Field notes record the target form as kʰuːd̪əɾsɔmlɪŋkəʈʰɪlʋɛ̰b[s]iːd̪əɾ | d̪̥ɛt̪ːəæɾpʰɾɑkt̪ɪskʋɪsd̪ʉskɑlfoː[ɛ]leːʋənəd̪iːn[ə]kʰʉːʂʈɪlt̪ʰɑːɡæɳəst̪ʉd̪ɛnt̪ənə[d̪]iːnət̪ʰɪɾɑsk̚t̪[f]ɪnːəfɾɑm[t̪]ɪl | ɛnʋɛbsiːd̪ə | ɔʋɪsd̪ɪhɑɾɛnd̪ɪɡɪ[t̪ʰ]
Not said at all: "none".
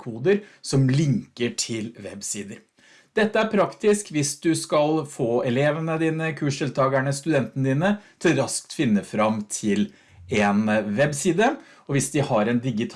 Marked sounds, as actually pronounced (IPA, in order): s, ɛ, ə, d̪, f, t̪ʰ, t̪ʰ

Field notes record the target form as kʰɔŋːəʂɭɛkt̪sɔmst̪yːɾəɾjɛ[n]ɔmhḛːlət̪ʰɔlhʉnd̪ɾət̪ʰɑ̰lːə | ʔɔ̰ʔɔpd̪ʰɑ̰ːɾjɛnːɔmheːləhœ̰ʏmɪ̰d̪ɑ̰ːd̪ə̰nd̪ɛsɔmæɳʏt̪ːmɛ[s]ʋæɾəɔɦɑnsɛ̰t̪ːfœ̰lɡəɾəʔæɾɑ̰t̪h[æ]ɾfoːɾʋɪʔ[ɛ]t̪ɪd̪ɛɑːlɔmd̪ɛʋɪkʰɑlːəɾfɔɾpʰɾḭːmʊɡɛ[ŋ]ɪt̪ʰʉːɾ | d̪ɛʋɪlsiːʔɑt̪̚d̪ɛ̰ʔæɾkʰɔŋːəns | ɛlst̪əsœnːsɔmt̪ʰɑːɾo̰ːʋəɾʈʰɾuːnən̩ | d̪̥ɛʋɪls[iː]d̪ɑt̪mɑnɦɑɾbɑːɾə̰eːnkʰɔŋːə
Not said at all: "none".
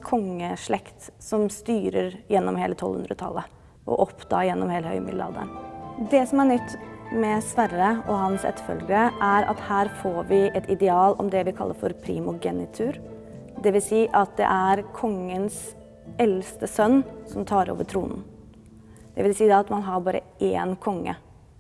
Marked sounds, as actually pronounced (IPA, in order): nː, s, æː, ɛ, n, iː

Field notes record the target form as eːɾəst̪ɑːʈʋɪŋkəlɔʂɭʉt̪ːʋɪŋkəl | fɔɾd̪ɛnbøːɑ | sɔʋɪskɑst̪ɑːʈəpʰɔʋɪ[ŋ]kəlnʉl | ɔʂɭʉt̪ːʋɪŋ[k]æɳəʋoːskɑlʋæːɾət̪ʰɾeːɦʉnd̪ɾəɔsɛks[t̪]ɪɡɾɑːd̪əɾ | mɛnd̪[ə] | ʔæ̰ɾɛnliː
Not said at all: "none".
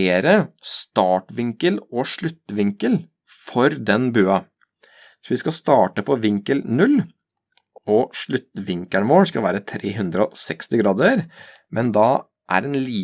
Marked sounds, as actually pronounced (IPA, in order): ŋ, k, t̪, ɑ

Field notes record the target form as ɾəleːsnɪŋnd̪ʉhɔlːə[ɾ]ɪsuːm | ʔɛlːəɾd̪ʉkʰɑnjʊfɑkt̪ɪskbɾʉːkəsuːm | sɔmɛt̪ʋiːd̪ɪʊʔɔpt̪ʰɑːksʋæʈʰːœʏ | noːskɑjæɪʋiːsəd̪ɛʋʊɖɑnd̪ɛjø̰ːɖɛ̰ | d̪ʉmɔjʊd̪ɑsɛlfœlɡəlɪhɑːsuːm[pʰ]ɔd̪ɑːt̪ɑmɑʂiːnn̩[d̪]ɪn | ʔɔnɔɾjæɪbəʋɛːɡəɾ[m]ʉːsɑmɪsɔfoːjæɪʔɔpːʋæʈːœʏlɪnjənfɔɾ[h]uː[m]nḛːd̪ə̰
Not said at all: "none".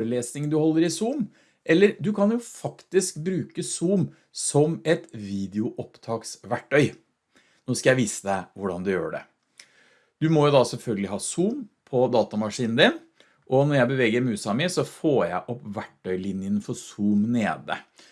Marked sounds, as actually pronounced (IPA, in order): ɾ, pʰ, d̪, m, s, m

